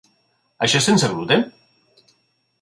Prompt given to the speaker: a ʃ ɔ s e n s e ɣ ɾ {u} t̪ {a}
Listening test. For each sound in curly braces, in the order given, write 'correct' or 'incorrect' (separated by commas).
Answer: correct, incorrect